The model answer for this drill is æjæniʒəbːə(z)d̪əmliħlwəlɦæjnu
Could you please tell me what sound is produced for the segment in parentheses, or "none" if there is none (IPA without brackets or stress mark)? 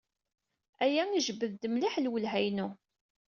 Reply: ð